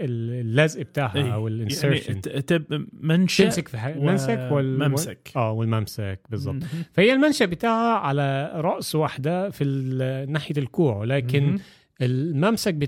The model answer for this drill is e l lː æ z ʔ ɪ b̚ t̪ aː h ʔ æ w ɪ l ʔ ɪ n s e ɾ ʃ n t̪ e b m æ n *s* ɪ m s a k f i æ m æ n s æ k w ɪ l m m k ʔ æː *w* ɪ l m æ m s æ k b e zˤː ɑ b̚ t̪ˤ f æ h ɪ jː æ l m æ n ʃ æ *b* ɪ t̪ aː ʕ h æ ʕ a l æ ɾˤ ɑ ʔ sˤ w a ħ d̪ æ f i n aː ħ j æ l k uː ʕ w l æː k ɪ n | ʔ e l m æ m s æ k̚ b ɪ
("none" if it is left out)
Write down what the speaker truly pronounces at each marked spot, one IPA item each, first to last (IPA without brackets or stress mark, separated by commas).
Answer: ʃ, w, b